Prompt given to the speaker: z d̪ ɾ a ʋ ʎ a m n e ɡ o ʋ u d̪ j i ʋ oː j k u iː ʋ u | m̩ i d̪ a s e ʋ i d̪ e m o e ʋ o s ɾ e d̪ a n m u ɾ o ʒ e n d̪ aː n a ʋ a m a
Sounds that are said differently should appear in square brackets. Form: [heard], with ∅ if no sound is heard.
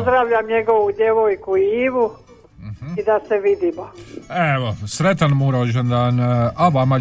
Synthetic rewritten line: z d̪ ɾ a ʋ ʎ a m [ɲ] e ɡ o ʋ u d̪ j [e] ʋ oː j k u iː ʋ u | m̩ i d̪ a s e ʋ i d̪ [i] m o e ʋ o s ɾ e [t̪] a n m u ɾ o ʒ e n d̪ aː n a ʋ a m a